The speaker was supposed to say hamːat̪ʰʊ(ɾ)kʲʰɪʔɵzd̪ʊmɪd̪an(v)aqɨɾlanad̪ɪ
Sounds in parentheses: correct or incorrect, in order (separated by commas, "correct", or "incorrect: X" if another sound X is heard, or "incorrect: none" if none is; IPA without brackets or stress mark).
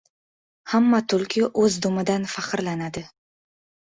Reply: incorrect: l, incorrect: f